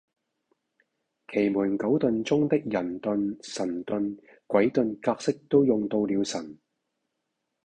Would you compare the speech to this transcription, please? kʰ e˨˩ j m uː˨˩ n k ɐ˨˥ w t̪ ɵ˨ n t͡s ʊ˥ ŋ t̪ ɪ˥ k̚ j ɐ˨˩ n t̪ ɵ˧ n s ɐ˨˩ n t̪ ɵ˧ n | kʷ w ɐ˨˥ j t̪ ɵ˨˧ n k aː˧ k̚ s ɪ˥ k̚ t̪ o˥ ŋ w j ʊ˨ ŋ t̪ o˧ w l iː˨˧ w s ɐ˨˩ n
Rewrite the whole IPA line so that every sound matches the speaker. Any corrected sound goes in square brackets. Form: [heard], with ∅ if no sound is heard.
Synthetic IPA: kʰ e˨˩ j m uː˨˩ n k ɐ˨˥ w t̪ ɵ˨ n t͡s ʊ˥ ŋ t̪ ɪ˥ k̚ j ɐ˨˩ n t̪ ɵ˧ n s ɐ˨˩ n t̪ ɵ˧ n | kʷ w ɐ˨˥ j t̪ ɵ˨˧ n k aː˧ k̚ s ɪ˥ k̚ t̪ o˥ [∅] w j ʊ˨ ŋ t̪ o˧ w l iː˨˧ w s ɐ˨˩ n

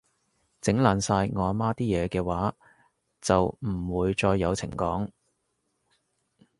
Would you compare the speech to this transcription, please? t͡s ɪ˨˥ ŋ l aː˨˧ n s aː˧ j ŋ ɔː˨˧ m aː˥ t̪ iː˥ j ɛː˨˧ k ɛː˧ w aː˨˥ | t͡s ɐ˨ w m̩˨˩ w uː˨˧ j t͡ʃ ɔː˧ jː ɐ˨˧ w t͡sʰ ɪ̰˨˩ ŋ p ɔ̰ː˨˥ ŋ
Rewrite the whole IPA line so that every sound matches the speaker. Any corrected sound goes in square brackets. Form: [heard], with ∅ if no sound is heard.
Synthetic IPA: t͡s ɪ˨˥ ŋ l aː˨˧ n s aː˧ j ŋ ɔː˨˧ m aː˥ t̪ iː˥ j ɛː˨˧ k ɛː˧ w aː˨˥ | t͡s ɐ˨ w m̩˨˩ w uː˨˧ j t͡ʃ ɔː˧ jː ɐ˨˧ w t͡sʰ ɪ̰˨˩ ŋ [k] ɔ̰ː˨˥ ŋ

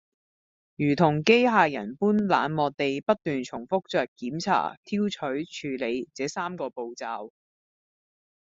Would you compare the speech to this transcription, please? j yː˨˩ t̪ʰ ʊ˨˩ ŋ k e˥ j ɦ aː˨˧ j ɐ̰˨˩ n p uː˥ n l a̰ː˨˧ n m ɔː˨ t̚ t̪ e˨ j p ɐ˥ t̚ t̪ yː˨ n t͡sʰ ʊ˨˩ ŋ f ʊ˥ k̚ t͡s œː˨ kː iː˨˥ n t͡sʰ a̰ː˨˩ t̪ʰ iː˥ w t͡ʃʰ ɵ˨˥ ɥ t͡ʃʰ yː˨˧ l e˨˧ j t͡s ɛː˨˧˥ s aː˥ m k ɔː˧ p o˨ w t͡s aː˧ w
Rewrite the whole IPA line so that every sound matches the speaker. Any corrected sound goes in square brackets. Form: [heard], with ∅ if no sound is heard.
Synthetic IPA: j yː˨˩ t̪ʰ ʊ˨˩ ŋ k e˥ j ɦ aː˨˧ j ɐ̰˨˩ n p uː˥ n l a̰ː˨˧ n m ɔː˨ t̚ t̪ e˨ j p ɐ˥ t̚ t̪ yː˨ n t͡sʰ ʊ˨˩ ŋ f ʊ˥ k̚ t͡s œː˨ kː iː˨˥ [m] t͡sʰ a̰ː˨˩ t̪ʰ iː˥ w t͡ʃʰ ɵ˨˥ ɥ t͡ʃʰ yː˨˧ l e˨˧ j t͡s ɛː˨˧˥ s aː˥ m k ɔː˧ p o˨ w t͡s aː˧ w

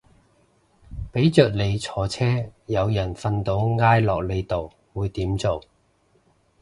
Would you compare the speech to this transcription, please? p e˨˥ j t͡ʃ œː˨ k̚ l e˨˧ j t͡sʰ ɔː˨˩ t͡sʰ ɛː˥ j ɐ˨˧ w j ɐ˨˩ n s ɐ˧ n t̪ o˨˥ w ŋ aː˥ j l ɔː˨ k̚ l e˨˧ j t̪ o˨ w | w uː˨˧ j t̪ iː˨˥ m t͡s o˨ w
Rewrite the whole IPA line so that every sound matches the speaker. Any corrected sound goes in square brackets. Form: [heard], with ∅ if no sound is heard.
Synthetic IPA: p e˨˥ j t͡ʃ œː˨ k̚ l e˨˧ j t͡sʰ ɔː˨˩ t͡sʰ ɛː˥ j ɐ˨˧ w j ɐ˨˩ n [f] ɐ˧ n t̪ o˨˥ w ŋ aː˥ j l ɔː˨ k̚ l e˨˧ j t̪ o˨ w | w uː˨˧ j t̪ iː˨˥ m t͡s o˨ w

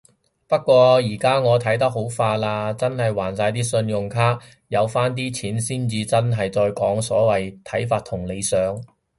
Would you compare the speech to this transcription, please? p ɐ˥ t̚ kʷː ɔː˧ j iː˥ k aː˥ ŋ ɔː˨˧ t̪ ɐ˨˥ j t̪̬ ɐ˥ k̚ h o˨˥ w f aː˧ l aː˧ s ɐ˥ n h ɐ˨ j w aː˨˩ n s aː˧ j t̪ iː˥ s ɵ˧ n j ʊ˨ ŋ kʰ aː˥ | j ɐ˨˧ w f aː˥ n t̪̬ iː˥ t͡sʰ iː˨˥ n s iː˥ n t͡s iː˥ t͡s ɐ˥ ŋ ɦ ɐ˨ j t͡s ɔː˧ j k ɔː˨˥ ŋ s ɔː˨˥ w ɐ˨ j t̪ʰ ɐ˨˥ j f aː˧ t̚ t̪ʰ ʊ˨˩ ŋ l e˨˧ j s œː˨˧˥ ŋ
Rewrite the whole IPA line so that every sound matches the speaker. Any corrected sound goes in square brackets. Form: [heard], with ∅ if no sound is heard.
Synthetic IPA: p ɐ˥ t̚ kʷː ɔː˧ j [iː˨˩] k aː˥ ŋ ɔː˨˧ [t̪ʰ] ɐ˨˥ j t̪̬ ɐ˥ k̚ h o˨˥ w f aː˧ l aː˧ [t͡s] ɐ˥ n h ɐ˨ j w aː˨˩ n s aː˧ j t̪ iː˥ s ɵ˧ n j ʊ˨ ŋ kʰ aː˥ | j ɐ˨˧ w f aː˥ n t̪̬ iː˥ t͡sʰ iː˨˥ n s iː˥ n t͡s [iː˧] t͡s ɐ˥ [n] ɦ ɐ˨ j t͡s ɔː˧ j k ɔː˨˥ ŋ s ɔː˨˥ w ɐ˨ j t̪ʰ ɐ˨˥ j f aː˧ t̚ t̪ʰ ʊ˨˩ ŋ l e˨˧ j s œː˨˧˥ ŋ

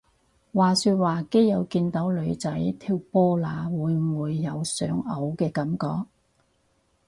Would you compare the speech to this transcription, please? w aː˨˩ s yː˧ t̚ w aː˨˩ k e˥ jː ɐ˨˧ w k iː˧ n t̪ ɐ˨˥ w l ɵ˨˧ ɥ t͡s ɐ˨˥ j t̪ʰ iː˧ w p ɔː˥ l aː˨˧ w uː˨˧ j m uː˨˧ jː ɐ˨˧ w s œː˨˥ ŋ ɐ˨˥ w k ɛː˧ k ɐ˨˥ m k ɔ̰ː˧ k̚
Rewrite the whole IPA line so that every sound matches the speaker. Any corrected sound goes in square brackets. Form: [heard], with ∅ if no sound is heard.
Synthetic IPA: w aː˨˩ s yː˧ t̚ w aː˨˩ k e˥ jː ɐ˨˧ w k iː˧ n t̪ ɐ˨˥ w l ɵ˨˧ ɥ t͡s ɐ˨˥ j t̪ʰ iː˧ w p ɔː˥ l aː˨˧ w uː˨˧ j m uː˨˧ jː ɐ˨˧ w s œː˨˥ ŋ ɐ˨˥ w k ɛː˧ k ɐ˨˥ m k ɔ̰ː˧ k̚

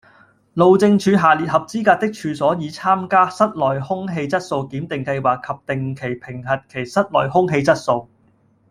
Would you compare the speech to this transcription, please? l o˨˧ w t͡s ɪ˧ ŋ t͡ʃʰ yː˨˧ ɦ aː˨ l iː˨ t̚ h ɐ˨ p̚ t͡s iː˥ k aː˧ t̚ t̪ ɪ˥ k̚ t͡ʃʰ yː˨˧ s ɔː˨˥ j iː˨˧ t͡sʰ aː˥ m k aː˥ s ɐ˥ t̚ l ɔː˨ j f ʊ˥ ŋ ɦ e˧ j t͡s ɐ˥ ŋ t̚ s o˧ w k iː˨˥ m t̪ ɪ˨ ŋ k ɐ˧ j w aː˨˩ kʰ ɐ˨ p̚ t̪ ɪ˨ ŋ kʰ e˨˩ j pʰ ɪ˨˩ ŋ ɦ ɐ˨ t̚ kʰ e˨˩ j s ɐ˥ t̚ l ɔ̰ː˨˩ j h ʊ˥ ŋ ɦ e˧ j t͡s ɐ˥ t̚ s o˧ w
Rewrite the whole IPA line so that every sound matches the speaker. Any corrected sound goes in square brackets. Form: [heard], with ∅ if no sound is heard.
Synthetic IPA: l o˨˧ w t͡s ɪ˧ ŋ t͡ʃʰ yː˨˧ ɦ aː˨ l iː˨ t̚ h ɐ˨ p̚ t͡s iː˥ k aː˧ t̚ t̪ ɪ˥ k̚ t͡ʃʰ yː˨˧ s ɔː˨˥ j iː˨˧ t͡sʰ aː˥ m k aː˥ s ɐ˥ t̚ l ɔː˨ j [h] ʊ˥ ŋ ɦ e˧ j t͡s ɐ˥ [∅] t̚ s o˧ w k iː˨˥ m t̪ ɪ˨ ŋ k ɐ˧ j w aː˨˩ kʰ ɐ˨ p̚ t̪ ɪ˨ ŋ kʰ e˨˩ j pʰ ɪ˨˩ ŋ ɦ ɐ˨ t̚ kʰ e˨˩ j s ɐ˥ t̚ l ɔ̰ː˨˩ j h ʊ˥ ŋ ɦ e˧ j t͡s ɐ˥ t̚ s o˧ w

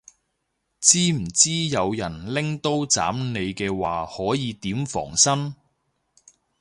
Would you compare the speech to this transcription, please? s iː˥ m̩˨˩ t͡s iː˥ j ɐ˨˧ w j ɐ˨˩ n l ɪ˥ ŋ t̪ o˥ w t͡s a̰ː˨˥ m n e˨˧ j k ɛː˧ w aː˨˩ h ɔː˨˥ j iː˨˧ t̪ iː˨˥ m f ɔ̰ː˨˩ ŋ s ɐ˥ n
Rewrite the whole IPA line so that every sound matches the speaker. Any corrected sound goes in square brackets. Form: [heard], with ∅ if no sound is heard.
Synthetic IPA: [t͡s] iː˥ m̩˨˩ t͡s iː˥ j ɐ˨˧ w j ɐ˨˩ n l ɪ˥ ŋ t̪ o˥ w t͡s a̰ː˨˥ m n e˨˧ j k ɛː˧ w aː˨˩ h ɔː˨˥ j iː˨˧ t̪ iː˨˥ m f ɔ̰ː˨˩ ŋ s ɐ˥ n

